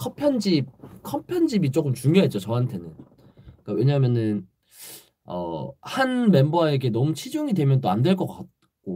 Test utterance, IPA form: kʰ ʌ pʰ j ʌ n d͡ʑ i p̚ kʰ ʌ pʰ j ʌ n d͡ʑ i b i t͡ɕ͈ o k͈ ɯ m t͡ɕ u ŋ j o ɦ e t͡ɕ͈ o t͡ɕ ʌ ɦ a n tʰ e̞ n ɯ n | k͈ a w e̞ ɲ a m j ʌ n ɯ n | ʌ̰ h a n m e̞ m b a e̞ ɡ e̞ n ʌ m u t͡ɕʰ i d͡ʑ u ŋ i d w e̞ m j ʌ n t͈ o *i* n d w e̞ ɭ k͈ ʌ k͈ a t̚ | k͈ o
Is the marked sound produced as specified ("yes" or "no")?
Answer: no